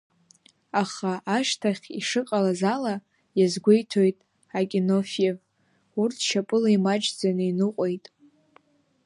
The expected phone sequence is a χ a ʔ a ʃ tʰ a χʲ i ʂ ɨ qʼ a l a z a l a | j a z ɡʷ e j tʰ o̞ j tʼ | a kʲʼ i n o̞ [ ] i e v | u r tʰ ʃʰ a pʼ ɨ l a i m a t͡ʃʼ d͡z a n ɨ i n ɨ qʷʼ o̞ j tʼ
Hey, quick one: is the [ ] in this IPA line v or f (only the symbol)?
f